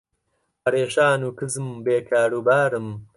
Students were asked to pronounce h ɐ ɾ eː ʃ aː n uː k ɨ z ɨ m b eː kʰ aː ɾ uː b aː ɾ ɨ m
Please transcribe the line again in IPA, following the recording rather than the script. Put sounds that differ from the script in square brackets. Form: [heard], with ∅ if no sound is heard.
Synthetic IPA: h ɐ ɾ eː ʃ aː n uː k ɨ z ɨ m b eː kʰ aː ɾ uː b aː ɾ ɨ m